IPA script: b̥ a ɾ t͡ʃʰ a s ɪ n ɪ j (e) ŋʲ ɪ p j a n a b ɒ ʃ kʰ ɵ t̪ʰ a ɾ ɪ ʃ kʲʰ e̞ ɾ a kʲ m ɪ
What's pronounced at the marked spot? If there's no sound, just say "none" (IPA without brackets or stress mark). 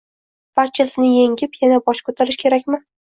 e